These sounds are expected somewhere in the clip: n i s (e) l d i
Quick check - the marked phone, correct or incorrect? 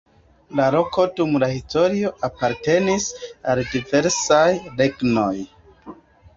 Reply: incorrect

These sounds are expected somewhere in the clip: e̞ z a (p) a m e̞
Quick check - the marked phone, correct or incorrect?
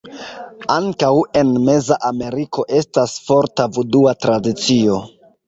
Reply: incorrect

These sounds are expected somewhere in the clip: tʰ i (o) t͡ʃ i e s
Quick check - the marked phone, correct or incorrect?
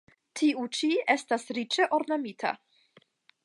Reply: incorrect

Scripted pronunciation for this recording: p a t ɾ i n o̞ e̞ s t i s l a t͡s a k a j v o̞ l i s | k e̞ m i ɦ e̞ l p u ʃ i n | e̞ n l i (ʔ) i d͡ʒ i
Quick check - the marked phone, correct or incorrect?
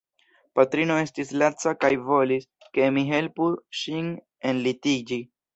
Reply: incorrect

